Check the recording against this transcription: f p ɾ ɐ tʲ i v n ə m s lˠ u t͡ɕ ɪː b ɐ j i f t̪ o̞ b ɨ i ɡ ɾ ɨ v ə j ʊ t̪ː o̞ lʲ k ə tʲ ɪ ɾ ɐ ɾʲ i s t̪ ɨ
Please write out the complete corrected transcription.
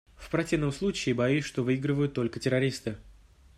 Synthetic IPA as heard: f p ɾ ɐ tʲ i v n ə m s lˠ u t͡ɕ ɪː b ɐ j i ʂ t̪ o̞ v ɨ i ɡ ɾ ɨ v ə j ʊ t̪ː o̞ lʲ k ə tʲ ɪ ɾ ɐ ɾʲ i s t̪ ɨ